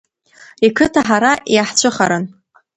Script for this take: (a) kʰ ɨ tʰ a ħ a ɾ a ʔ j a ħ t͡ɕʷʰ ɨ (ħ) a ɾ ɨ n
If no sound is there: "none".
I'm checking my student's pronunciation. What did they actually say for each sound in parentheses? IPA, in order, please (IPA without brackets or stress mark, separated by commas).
i, χ